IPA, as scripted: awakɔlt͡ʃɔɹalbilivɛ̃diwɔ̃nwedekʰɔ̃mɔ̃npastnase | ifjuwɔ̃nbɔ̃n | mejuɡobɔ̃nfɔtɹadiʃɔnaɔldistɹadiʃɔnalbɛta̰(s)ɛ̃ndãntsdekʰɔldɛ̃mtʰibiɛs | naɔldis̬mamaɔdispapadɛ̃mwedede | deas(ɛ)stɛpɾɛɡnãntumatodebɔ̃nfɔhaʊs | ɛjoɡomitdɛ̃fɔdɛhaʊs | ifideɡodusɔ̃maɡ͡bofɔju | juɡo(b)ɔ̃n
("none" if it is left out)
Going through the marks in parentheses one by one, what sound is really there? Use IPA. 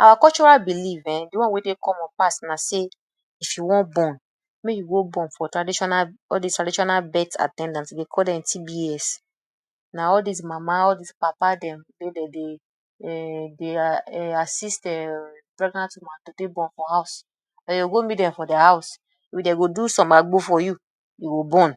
t, i, b

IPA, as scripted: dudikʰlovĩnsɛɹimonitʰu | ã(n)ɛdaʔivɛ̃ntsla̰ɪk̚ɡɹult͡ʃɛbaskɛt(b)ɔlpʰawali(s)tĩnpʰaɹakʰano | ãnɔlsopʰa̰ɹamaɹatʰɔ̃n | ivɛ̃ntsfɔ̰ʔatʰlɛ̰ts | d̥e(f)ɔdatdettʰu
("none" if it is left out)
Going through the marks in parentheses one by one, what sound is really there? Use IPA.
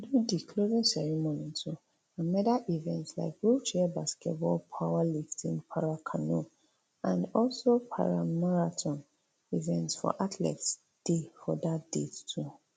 m, b, f, f

